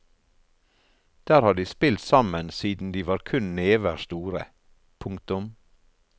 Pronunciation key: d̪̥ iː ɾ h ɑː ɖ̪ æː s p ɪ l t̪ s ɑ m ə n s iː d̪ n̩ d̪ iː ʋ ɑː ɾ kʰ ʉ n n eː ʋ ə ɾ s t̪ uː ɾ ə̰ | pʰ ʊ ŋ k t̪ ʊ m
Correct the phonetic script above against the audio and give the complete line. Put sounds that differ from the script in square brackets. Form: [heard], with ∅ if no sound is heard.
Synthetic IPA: d̪̥ [æː] ɾ h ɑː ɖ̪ [iː] s p ɪ l t̪ s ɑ m ə n s iː d̪ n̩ d̪ iː ʋ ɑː ɾ kʰ ʉ n n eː ʋ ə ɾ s t̪ uː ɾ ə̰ | pʰ ʊ ŋ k t̪ ʊ m